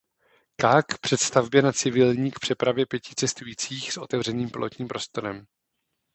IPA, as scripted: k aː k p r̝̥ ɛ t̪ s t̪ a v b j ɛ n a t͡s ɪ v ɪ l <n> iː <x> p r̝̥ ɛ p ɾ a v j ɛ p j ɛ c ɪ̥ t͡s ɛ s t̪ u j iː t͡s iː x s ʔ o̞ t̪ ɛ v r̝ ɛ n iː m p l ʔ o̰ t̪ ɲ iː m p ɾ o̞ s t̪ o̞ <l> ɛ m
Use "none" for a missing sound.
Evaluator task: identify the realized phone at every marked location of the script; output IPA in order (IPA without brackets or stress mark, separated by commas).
ɲ, k, ɾ